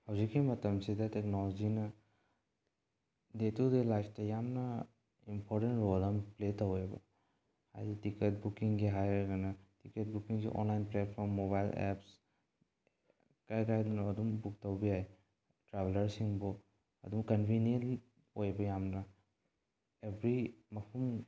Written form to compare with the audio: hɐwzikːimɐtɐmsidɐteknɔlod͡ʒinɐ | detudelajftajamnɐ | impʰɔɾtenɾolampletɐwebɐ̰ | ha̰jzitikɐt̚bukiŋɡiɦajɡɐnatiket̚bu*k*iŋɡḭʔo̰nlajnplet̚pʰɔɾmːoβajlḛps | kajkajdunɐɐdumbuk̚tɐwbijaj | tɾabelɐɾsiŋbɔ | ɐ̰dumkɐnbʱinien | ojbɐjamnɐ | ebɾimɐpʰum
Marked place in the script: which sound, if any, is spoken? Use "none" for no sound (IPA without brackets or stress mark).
k